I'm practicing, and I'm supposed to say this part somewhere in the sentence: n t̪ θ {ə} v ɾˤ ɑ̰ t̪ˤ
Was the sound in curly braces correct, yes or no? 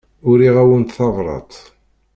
no